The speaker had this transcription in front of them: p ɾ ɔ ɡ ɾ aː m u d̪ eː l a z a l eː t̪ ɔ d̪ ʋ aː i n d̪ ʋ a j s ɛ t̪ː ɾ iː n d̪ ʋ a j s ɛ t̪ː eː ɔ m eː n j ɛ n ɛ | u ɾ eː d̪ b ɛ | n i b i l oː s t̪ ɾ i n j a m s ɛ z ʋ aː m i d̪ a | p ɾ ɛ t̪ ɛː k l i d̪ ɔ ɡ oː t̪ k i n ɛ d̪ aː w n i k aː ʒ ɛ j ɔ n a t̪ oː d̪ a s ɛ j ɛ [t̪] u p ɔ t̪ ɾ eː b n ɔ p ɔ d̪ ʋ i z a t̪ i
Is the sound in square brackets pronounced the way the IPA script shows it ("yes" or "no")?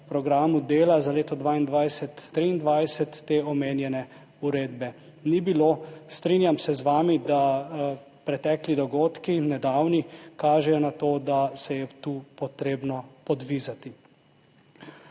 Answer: yes